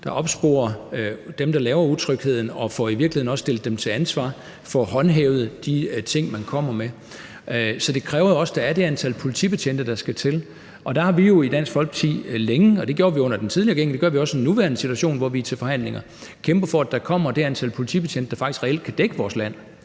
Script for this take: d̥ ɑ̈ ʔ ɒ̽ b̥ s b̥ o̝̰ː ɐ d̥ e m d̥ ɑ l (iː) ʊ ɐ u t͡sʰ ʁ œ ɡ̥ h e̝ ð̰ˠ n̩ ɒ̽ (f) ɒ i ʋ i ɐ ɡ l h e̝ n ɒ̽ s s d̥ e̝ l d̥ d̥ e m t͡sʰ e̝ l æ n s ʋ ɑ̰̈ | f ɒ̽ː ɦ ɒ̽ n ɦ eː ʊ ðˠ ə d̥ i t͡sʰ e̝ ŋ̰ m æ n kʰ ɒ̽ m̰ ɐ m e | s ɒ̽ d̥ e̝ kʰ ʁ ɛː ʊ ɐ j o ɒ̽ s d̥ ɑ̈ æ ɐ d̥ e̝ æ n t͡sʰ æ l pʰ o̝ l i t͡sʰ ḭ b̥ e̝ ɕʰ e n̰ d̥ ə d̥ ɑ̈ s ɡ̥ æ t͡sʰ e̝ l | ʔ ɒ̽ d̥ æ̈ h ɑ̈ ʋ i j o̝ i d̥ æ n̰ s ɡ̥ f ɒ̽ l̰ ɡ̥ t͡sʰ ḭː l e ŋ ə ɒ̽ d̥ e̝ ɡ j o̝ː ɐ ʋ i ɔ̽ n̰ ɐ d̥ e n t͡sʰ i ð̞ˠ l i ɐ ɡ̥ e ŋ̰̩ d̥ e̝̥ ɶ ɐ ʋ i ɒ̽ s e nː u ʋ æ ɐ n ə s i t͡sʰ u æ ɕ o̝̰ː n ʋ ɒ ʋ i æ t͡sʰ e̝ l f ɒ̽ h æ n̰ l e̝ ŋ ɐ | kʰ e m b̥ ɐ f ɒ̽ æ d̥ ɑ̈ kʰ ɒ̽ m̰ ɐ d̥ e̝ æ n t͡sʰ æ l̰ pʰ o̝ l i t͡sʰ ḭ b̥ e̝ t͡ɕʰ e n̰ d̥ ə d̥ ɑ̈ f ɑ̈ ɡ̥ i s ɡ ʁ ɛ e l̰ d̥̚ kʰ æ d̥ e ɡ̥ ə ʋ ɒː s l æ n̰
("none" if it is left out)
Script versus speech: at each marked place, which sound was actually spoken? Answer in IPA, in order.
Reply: ɛː, f

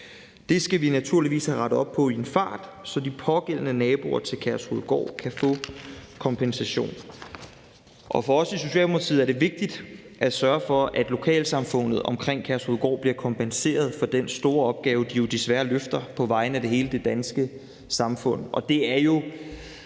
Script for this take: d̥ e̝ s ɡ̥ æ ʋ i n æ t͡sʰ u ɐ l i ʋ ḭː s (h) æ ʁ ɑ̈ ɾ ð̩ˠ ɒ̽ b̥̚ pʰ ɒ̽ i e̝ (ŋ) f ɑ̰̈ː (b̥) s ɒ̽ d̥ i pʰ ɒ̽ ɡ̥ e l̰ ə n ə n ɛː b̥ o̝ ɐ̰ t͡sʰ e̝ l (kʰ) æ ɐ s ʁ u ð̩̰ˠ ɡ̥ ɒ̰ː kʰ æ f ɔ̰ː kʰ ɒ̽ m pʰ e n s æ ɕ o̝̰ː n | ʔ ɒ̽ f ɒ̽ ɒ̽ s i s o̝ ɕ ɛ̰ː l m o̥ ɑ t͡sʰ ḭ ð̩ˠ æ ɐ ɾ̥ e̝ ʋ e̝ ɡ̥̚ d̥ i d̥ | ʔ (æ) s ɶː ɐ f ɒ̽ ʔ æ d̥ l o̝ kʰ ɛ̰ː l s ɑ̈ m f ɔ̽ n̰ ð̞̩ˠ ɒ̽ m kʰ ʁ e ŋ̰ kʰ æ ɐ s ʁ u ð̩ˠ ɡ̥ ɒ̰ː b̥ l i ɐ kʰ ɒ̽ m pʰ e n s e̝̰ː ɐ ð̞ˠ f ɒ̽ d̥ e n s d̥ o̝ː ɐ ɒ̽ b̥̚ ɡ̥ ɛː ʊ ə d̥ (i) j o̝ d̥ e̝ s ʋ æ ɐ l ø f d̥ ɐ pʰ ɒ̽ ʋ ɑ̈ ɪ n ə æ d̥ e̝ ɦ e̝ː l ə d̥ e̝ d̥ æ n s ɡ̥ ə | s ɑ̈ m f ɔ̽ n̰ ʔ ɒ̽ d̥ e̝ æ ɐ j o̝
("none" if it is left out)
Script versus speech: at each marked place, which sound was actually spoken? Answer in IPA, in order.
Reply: h, n, d̥, kʰ, æ, i

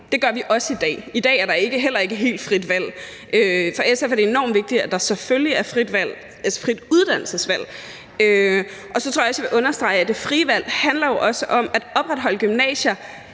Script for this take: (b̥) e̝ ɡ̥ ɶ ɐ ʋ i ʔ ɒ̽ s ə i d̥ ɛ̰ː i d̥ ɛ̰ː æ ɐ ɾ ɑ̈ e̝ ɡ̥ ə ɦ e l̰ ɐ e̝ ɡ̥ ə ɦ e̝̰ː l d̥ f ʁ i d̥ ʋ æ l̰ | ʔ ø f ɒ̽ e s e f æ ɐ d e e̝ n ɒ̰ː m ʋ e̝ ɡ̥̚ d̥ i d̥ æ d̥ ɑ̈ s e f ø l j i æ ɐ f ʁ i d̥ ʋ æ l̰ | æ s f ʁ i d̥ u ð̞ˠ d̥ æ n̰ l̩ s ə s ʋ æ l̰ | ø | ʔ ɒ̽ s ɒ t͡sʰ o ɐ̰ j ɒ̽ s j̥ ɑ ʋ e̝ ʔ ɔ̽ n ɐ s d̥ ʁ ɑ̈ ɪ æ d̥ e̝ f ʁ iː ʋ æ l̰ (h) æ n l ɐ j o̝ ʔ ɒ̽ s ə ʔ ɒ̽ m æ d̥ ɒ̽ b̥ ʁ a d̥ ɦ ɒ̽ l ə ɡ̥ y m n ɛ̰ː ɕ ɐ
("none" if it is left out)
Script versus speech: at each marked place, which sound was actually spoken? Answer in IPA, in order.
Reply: d̥, h

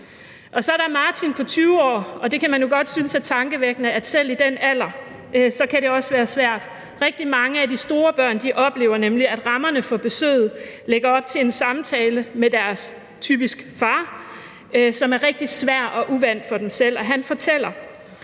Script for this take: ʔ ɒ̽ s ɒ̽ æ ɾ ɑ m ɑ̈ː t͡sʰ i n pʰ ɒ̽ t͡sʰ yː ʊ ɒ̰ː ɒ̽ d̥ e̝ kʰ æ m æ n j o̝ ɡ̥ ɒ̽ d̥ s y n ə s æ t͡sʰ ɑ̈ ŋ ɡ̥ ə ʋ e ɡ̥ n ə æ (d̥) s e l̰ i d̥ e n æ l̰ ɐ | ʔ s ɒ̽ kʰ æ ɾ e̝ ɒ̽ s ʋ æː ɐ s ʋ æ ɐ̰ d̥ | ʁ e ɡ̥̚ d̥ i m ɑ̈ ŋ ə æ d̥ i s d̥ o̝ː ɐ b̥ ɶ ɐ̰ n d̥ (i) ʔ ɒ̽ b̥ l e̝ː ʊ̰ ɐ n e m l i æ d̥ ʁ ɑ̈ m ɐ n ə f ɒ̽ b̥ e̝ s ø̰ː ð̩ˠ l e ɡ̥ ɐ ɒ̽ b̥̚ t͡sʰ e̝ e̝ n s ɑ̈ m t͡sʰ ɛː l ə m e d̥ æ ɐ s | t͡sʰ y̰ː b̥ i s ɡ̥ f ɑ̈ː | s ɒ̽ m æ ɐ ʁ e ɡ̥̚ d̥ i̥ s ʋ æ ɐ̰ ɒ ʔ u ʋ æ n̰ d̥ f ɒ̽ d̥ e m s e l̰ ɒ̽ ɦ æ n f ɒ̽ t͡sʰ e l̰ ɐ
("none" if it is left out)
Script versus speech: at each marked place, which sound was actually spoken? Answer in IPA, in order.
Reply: d̥, i

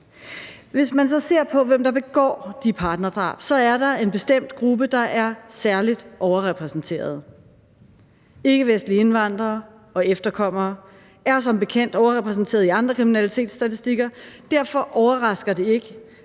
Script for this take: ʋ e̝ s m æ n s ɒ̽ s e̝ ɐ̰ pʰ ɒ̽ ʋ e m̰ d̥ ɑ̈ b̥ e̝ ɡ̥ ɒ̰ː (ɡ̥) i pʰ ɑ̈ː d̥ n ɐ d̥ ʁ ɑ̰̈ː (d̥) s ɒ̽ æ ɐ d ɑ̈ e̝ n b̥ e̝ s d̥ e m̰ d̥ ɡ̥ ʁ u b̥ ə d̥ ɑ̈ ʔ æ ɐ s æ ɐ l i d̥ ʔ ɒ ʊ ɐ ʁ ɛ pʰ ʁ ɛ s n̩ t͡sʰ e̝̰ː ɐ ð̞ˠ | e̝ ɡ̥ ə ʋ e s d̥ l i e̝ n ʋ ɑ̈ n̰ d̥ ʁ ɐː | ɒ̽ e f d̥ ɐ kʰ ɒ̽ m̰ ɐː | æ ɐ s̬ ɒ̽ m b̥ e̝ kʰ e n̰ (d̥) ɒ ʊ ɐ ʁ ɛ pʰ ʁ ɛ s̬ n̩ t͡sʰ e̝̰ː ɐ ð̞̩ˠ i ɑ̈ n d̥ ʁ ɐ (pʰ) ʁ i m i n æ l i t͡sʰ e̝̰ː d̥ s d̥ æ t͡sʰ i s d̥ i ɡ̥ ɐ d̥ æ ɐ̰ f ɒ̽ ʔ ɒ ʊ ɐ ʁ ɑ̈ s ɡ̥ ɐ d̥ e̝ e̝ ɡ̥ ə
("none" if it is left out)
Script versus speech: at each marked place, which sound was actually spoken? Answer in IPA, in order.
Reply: d̥, b̥, d̥, kʰ

